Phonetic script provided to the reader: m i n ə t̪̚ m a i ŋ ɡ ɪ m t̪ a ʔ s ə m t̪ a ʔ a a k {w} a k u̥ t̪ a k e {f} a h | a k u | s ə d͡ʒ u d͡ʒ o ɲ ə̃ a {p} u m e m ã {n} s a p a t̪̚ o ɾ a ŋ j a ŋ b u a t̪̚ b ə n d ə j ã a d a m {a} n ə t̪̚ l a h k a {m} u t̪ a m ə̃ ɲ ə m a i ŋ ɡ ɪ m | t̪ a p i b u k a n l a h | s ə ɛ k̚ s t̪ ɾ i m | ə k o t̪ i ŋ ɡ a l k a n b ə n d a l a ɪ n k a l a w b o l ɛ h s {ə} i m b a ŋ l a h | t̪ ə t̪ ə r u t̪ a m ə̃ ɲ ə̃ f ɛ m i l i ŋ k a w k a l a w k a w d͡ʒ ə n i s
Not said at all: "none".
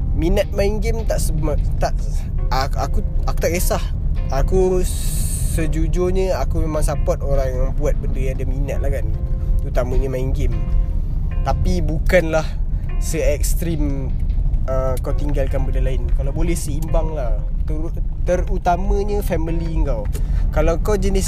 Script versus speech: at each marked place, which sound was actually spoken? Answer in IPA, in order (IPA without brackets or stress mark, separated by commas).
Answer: u, s, k, ŋ, i, n, ə